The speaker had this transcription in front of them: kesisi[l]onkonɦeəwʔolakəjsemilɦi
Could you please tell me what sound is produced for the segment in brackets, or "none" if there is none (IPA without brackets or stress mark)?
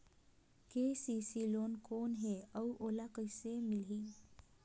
l